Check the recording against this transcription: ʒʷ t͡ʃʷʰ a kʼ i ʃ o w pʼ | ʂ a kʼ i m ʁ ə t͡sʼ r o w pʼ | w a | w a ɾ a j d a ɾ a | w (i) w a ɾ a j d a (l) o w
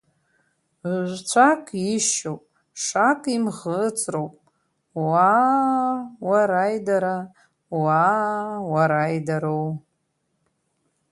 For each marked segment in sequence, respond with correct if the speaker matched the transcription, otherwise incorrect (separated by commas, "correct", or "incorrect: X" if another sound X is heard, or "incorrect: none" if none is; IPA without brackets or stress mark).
incorrect: a, incorrect: ɾ